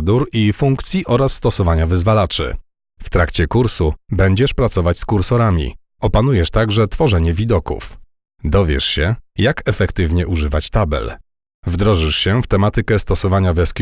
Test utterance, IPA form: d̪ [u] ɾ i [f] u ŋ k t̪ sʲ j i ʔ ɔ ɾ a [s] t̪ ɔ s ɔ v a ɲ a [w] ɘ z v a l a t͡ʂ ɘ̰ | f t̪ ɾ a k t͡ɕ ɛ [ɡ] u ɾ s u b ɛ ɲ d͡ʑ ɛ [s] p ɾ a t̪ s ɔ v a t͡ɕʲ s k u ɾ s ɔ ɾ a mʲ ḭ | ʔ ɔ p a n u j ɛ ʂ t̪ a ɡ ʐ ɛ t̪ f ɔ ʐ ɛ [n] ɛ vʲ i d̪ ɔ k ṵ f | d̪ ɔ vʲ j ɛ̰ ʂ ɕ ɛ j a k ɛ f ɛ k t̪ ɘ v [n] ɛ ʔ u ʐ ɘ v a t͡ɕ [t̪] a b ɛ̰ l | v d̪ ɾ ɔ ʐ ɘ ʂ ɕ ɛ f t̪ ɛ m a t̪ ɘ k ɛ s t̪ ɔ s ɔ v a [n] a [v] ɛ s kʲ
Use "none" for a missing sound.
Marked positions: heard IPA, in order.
u, f, sː, v, k, ʂ, ɲ, ɲ, t̪, ɲ, v

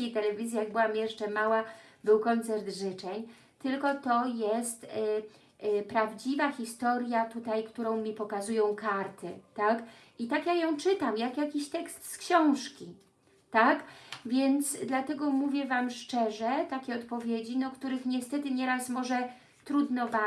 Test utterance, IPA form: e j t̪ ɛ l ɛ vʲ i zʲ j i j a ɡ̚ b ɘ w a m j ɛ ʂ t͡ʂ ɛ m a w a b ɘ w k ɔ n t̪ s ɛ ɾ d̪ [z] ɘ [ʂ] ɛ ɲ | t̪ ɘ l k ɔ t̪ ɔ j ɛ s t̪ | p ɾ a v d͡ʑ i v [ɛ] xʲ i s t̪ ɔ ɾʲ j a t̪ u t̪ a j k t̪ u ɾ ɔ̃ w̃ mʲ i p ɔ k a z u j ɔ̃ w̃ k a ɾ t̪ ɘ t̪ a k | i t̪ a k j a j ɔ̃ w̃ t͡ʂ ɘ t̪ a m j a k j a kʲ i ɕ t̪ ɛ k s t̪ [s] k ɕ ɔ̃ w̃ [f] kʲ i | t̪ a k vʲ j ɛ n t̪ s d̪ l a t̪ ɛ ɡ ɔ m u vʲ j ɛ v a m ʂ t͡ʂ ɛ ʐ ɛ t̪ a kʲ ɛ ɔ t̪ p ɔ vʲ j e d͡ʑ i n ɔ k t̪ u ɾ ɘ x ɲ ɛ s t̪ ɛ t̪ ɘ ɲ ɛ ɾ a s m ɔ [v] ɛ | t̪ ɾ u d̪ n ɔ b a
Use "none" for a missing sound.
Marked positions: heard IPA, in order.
ʐ, t͡ʂ, a, s, ʂ, ʐ

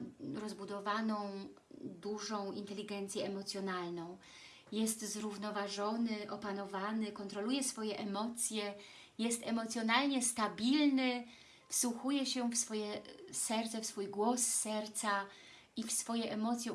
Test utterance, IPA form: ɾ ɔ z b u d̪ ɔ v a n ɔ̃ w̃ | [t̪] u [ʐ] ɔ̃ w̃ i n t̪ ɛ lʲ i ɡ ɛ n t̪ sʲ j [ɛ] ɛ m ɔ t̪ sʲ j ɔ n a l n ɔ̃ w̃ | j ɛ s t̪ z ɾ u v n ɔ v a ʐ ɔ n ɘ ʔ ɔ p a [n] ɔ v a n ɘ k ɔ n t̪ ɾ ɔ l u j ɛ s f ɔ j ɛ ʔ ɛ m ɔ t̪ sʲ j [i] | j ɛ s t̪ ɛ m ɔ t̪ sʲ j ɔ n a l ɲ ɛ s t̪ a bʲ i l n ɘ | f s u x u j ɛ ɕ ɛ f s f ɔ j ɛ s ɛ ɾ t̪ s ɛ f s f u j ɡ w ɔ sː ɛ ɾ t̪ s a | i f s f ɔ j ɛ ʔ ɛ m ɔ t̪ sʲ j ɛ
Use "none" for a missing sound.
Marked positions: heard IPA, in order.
d̪, ʐ, ɛ, n, ɛ

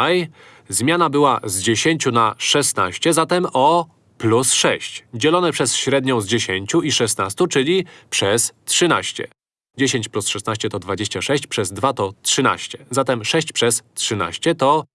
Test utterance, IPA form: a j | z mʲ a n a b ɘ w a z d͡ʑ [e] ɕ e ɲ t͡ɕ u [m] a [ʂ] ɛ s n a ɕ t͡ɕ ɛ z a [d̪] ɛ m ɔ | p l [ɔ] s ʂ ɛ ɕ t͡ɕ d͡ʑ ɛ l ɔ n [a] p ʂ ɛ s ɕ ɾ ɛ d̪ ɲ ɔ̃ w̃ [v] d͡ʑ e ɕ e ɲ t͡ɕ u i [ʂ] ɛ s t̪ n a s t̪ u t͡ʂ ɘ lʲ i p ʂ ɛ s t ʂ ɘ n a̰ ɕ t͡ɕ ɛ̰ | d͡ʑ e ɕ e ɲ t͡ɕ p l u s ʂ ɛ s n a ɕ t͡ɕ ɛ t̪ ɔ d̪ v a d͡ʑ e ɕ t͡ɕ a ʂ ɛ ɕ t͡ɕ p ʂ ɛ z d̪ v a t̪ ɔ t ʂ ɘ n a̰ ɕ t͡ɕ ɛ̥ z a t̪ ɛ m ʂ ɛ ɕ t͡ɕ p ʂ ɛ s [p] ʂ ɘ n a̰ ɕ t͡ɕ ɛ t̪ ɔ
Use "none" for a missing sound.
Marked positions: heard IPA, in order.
e, n, ʂ, t̪, u, ɛ, z, ʂ, t

